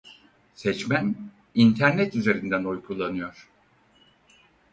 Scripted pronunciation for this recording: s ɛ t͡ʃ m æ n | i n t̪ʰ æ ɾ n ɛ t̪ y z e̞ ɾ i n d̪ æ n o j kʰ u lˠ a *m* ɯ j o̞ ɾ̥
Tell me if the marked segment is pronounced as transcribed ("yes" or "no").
no